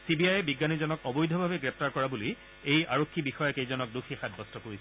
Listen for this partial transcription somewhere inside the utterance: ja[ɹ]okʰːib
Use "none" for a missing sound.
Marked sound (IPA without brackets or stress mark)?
ɹ